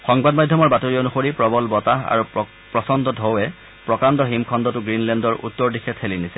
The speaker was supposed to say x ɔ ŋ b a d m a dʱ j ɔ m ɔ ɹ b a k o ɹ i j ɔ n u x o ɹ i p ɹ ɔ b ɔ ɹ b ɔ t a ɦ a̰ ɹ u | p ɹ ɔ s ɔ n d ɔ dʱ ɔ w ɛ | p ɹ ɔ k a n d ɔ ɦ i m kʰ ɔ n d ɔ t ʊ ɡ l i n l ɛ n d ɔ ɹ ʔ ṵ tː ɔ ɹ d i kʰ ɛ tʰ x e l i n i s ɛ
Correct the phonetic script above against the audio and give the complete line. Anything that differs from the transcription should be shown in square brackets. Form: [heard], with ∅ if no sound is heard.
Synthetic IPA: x ɔ ŋ b a d m a dʱ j ɔ m ɔ ɹ b a [t] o ɹ i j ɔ n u x o ɹ i p ɹ ɔ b ɔ [l] b ɔ t a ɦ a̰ ɹ u | p ɹ ɔ s ɔ n d ɔ dʱ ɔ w ɛ | p ɹ ɔ k a n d ɔ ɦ i m kʰ ɔ n d ɔ t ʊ ɡ [ɹ] i n l ɛ n d ɔ ɹ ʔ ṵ tː ɔ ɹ d i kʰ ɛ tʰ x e l i n i s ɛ